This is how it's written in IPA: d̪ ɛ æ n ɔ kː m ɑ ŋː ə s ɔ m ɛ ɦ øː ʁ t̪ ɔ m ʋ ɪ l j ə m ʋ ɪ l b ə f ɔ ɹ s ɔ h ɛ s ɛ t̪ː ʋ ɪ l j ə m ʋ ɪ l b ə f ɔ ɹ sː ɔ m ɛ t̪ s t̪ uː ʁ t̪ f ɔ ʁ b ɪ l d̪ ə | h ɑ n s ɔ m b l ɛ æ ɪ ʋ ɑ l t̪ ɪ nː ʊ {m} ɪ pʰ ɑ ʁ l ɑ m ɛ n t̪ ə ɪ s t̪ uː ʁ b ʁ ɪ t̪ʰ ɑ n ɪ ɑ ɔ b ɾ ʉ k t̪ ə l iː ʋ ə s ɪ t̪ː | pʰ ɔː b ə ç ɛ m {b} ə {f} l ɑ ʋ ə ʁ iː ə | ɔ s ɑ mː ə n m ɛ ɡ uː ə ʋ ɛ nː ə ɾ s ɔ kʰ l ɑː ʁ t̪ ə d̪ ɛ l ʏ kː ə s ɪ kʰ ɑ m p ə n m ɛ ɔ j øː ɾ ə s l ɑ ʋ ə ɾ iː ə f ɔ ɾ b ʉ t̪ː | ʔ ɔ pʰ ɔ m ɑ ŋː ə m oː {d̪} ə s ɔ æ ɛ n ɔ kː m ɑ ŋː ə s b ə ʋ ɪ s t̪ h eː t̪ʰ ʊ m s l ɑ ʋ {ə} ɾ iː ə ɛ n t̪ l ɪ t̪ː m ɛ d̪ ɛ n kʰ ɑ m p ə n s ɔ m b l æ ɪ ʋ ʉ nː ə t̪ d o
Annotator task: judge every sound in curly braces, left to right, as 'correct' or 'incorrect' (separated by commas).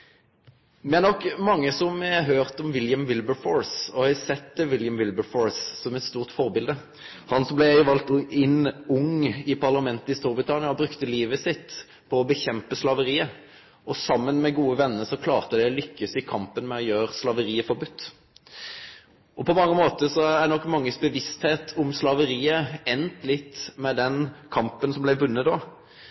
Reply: incorrect, incorrect, incorrect, incorrect, correct